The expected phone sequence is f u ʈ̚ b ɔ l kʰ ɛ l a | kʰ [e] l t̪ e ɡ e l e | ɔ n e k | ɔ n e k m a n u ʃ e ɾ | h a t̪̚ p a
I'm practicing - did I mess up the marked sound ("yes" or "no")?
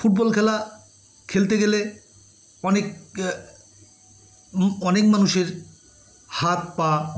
no